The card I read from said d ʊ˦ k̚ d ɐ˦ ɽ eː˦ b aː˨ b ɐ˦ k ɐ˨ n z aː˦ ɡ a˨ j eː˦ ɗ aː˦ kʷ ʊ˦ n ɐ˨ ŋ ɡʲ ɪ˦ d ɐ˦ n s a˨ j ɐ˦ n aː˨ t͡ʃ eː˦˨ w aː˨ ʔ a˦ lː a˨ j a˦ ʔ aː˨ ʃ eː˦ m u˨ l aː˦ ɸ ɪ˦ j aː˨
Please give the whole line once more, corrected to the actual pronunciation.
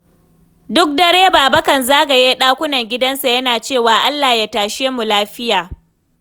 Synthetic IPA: d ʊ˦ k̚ d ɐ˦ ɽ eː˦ b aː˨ b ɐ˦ k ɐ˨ n z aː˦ ɡ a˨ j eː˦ ɗ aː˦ kʷ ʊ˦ n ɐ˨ ŋ ɡʲ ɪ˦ d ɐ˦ n s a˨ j ɐ˦ n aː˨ t͡ʃ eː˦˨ w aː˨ ʔ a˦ lː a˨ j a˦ t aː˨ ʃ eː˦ m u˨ l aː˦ ɸ ɪ˦ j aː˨